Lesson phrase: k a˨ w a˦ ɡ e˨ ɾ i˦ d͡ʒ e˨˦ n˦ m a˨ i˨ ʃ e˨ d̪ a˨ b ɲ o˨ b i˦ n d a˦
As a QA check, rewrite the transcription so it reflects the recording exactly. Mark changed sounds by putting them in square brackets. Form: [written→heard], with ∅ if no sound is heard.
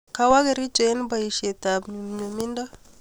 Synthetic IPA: k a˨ w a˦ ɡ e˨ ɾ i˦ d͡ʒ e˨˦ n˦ [m→b] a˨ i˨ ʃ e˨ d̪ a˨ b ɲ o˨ [b→m] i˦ n d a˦